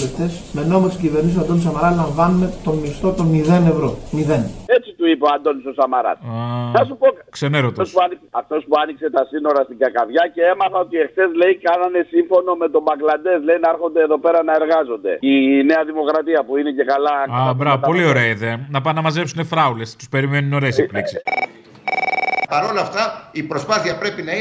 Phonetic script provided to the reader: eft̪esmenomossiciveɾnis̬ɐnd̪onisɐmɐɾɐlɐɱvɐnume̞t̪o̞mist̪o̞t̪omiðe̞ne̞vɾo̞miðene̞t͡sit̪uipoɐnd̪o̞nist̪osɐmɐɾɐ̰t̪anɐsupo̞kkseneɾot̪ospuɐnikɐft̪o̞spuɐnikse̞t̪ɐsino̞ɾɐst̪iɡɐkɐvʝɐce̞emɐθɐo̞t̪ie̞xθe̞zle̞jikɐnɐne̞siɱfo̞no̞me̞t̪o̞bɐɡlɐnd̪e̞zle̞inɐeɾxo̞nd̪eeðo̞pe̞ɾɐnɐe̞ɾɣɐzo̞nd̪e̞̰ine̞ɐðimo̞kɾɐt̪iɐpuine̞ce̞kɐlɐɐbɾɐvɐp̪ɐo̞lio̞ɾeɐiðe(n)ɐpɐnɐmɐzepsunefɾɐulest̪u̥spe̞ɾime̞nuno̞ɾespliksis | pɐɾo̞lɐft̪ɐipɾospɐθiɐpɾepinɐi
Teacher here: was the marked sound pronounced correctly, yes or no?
yes